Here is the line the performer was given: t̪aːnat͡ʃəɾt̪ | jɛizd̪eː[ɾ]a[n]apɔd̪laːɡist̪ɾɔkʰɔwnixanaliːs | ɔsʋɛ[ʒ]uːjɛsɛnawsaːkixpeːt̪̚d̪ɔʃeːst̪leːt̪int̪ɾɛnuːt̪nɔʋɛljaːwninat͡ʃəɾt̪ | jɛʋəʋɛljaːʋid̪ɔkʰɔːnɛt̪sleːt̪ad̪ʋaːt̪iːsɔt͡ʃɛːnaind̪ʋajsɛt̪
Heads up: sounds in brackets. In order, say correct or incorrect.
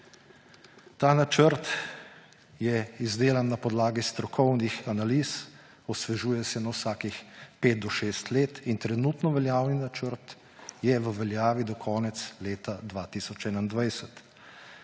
incorrect: l, incorrect: nː, correct

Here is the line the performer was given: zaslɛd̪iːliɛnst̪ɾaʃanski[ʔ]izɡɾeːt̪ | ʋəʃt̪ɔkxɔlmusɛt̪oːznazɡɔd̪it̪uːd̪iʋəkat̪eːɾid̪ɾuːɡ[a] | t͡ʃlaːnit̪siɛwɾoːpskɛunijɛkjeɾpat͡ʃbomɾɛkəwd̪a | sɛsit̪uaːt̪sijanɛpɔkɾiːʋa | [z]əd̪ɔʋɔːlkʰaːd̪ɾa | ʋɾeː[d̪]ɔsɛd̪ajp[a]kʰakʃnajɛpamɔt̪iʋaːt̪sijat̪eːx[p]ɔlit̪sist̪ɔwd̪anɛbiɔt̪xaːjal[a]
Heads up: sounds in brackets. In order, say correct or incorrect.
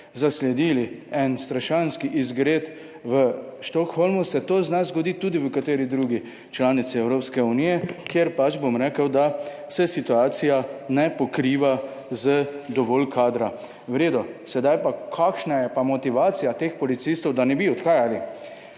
correct, incorrect: i, correct, correct, correct, correct, incorrect: i

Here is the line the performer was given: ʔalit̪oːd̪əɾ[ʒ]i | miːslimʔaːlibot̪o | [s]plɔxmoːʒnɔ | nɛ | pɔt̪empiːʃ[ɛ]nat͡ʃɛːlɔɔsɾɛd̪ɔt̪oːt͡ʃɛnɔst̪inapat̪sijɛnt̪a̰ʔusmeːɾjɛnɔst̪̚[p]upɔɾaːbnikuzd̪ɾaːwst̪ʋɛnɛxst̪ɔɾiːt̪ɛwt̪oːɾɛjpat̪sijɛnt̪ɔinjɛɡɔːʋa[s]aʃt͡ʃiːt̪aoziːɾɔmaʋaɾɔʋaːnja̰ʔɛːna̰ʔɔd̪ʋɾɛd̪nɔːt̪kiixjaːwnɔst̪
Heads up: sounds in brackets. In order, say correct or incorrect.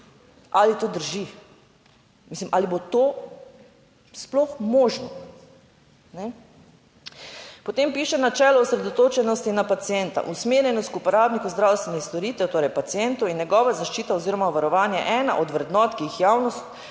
correct, correct, correct, incorrect: k, incorrect: z

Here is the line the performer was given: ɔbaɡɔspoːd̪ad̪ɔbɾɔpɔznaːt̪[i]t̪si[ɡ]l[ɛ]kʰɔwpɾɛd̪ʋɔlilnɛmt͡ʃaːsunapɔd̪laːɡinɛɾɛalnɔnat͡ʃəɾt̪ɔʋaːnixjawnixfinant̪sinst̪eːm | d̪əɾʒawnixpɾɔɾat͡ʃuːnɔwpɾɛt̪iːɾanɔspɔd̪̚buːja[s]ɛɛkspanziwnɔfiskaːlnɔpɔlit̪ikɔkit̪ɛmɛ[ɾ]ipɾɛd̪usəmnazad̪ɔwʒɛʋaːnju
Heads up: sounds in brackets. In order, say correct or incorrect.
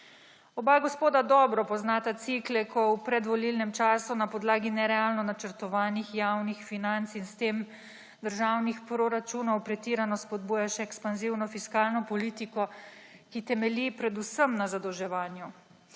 incorrect: a, incorrect: k, correct, incorrect: ʃ, incorrect: l

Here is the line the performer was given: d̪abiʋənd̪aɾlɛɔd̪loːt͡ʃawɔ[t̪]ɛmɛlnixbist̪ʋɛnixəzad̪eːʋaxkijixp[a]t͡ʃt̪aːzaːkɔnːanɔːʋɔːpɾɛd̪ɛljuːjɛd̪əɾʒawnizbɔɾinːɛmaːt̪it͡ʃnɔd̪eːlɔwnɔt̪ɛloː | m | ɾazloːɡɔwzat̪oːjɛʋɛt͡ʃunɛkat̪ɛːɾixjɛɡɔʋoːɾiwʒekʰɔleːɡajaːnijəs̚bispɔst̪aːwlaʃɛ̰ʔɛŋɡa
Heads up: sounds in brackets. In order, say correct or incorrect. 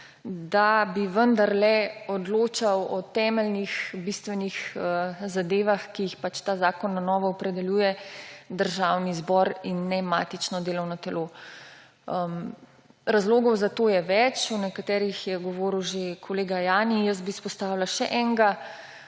correct, correct

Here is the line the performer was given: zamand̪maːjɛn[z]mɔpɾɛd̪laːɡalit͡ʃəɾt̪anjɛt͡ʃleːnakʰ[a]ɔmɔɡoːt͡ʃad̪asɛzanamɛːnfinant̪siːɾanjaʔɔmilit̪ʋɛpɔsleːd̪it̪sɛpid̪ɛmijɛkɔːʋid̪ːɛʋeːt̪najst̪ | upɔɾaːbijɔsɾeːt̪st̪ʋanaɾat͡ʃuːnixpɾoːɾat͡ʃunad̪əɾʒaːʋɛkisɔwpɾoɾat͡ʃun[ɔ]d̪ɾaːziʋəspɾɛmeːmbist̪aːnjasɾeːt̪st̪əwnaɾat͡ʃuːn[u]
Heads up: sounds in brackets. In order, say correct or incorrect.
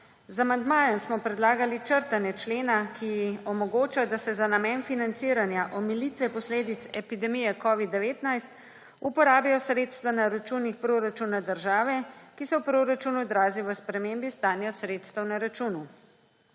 incorrect: s, incorrect: i, incorrect: u, correct

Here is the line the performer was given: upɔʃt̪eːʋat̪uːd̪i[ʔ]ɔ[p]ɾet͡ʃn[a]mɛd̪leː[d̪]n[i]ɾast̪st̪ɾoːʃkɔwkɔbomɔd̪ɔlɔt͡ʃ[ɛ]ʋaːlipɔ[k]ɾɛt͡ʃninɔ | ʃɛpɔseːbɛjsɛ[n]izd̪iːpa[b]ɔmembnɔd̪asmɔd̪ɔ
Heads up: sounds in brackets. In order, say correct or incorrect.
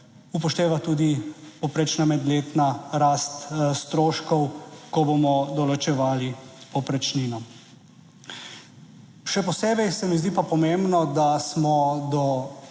incorrect: p, correct, correct, incorrect: t̪, incorrect: a, correct, incorrect: p, incorrect: m, incorrect: p

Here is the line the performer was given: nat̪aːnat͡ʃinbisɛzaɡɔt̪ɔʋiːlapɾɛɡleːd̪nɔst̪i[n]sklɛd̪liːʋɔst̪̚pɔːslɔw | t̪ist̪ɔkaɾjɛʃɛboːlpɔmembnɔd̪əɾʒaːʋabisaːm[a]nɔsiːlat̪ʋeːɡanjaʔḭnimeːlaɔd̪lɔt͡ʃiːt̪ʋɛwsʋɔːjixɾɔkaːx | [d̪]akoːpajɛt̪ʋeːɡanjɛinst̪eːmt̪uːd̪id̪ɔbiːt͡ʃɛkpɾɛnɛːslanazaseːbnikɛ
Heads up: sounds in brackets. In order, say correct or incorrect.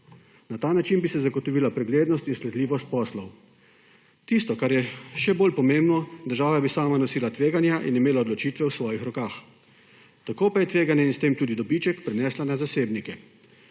correct, correct, incorrect: t̪

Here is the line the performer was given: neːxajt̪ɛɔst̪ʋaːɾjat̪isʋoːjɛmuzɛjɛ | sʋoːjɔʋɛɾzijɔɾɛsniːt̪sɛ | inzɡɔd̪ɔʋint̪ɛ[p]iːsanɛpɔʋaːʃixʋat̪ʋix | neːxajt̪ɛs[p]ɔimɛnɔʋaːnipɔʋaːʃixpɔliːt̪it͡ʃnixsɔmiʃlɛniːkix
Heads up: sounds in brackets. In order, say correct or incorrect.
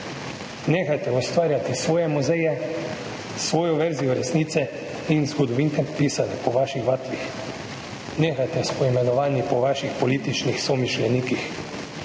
correct, correct

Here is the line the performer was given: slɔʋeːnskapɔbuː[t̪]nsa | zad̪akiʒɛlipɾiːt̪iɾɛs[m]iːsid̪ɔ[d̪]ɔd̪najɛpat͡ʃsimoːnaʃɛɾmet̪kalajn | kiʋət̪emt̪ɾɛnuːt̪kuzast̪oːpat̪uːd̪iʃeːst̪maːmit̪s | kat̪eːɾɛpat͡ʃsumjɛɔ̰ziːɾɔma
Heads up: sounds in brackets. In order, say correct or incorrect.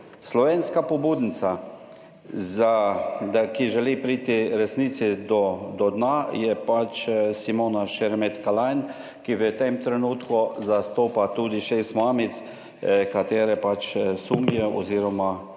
incorrect: d̪, incorrect: n, correct

